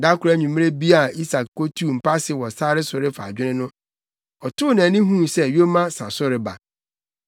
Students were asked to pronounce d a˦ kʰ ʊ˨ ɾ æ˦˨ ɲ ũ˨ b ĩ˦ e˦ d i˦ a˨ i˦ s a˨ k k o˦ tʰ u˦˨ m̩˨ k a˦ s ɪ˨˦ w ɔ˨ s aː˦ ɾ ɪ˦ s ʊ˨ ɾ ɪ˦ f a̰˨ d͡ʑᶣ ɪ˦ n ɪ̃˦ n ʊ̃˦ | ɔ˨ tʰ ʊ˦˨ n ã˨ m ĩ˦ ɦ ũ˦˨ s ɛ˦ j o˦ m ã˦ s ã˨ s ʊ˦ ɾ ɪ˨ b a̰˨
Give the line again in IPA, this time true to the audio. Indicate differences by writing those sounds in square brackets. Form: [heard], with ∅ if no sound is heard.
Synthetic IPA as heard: d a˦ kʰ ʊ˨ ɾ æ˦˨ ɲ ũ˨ [m] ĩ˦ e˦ [b] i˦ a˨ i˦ s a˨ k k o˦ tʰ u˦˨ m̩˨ [p] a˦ s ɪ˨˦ w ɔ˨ s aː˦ ɾ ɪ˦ s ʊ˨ ɾ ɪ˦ f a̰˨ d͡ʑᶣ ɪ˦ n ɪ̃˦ n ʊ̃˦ | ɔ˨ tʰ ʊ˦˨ n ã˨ [n] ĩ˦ ɦ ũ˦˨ s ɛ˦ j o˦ m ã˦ s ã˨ s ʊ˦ ɾ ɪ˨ b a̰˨